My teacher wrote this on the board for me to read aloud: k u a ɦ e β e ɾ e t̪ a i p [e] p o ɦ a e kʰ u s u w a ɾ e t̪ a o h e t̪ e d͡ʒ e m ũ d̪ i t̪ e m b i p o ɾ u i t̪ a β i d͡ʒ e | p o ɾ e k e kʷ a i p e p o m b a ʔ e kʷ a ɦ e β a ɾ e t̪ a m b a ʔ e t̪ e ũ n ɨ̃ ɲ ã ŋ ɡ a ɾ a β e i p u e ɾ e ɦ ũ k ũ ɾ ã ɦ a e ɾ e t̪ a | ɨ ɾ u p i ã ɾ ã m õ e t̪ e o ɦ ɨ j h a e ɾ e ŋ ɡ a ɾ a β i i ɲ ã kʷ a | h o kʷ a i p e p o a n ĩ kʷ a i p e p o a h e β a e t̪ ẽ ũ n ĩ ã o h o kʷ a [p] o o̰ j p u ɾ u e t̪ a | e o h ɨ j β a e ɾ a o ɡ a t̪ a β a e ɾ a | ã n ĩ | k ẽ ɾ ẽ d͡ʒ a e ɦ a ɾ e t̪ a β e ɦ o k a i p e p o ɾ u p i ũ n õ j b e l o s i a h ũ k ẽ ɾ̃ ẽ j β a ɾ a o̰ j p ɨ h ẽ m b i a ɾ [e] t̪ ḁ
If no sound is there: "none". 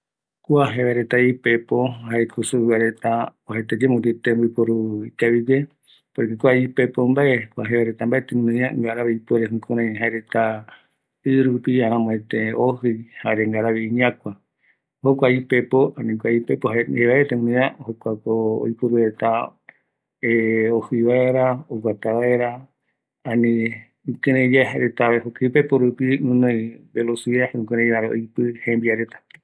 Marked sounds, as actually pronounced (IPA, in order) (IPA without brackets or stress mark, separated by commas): e, k, e